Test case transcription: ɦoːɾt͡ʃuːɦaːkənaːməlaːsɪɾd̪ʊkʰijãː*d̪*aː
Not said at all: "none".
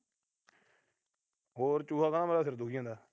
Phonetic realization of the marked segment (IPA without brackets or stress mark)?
d̪